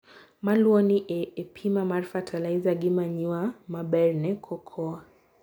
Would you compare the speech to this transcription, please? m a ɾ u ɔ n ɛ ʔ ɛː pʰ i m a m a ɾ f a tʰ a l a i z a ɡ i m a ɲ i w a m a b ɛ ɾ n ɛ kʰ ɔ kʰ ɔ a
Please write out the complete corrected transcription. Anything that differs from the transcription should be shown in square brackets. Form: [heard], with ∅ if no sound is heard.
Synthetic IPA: m a [l] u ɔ n [i] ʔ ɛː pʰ i m a m a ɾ f a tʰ a l a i z a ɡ i m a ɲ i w a m a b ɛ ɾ n ɛ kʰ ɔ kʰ ɔ a